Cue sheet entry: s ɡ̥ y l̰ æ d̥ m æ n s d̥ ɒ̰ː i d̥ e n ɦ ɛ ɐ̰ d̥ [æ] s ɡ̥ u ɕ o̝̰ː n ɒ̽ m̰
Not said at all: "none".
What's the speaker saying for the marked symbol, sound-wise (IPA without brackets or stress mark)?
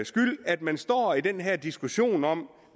i